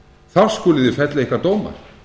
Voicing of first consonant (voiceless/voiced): voiceless